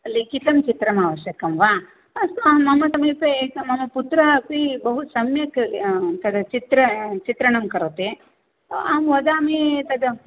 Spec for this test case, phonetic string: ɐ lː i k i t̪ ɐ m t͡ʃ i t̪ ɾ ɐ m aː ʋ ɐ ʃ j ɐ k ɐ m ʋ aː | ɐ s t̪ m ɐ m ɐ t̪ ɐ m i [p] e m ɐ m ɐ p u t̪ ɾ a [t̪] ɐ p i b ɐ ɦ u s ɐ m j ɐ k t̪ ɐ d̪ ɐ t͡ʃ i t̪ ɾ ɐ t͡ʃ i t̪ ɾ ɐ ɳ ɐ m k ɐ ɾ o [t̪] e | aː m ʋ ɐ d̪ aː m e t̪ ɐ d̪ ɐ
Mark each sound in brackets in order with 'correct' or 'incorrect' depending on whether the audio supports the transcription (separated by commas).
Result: correct, incorrect, correct